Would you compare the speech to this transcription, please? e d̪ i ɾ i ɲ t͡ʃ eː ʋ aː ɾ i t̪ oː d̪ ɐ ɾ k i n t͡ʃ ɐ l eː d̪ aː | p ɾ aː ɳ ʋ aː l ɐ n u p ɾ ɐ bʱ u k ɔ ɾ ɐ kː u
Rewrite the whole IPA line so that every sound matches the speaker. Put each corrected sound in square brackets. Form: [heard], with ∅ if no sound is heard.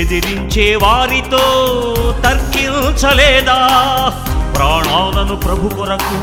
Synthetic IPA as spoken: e d̪ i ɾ i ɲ t͡ʃ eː ʋ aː ɾ i t̪ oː [t̪] ɐ ɾ k i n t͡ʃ ɐ l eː d̪ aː | p ɾ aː ɳ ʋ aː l ɐ n u p ɾ ɐ bʱ u k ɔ ɾ ɐ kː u